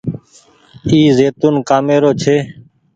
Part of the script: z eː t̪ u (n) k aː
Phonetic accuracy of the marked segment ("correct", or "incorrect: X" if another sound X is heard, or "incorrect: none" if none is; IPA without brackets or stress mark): correct